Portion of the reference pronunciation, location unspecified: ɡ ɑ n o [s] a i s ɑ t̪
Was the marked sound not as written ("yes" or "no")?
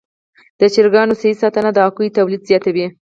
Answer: no